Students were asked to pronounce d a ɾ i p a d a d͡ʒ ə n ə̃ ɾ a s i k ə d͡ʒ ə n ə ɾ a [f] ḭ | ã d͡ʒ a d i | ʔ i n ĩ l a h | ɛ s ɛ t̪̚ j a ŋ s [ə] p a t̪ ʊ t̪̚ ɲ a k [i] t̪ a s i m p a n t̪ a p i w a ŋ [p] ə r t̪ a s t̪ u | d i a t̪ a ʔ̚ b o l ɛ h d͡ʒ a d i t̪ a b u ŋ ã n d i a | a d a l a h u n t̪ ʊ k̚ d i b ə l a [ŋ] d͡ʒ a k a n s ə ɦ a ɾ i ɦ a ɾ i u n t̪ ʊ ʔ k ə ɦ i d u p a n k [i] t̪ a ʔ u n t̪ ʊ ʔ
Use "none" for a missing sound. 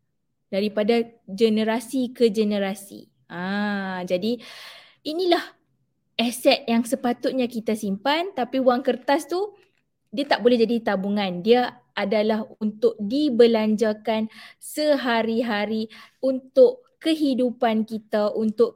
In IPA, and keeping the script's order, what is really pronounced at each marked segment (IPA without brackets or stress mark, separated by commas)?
s, ə, i, k, ɲ, i